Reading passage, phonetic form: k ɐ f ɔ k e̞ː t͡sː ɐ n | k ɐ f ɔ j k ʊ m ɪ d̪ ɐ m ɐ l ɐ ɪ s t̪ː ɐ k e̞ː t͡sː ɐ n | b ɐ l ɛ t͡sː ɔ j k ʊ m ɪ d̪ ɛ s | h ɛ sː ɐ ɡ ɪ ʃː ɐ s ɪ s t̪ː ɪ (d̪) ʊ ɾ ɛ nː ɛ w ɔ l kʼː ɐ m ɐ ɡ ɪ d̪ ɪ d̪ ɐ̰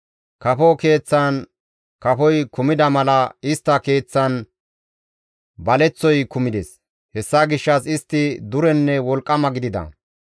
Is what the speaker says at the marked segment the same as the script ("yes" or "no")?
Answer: yes